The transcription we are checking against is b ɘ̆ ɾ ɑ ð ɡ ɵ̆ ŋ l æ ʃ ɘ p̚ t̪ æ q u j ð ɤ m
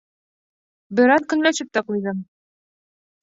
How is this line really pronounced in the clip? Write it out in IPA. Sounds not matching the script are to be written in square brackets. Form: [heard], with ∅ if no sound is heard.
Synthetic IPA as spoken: b ɘ̆ ɾ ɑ ð [k] ɵ̆ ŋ l æ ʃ ɘ p̚ t̪ æ q u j ð ɤ m